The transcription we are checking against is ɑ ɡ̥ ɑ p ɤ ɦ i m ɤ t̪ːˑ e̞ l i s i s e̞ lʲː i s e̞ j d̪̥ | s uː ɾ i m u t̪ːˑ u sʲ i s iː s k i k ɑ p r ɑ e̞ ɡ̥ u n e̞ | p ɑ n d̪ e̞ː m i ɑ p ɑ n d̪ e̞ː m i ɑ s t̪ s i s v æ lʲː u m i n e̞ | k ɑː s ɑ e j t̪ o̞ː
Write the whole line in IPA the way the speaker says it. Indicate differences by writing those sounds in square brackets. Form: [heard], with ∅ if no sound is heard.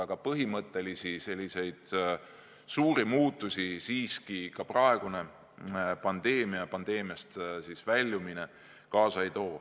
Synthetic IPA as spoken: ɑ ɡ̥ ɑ p ɤ ɦ i m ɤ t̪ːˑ e̞ l i s i s e̞ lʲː i s e̞ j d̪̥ | s uː ɾ i m [uː] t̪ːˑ u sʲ i s iː s k i k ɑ p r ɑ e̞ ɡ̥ u n e̞ | p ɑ n d̪ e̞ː m i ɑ p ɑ n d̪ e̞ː m i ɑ s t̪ s i s v æ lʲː u m i n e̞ | k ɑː s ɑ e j t̪ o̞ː